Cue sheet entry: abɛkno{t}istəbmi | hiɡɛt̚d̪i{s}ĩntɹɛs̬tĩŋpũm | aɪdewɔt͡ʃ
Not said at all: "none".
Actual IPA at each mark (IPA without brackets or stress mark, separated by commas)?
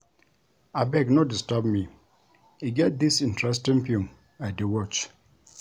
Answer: d, s